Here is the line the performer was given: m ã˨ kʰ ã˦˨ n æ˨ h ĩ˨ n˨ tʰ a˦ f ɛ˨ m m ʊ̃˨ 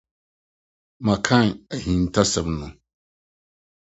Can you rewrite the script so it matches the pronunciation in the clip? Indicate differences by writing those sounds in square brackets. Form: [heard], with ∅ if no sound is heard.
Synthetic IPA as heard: m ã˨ kʰ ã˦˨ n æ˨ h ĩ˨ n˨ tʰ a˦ [s] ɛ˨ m [n] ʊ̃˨